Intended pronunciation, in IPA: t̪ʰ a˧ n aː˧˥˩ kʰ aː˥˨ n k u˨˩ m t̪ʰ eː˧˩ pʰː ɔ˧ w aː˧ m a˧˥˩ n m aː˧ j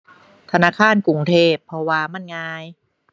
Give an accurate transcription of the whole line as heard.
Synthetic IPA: t̪ʰ a˧ n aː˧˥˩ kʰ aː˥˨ n k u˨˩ ŋ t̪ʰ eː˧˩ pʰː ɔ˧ w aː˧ m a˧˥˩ n ŋ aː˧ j